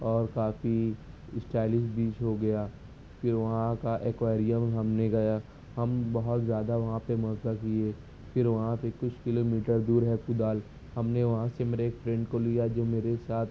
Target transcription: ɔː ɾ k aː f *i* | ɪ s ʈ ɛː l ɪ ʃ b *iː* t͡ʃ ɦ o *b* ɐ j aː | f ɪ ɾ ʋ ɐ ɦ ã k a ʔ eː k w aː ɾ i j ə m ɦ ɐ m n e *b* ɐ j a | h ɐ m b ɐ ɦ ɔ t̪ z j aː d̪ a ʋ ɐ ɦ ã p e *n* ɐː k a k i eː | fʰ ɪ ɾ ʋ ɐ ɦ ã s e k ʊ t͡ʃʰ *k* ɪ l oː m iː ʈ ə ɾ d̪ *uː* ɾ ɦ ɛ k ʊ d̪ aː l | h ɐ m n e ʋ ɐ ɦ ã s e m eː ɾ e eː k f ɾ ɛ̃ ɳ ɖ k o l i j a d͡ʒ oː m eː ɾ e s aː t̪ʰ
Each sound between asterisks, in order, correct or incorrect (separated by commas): correct, correct, incorrect, incorrect, incorrect, correct, correct